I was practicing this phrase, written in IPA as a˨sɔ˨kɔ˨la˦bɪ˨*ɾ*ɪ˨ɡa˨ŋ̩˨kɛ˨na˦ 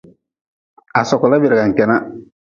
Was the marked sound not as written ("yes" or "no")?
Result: no